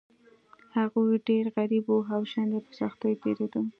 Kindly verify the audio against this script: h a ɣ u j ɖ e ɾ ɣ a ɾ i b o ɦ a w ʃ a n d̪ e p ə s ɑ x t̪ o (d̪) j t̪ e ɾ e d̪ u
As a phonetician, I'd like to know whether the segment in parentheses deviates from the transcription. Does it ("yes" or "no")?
yes